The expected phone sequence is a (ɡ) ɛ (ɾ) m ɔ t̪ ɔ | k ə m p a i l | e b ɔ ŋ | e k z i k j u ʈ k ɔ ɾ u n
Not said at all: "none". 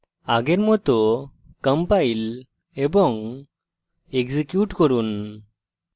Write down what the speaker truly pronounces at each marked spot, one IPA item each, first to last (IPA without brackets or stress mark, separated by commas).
ɡ, ɾ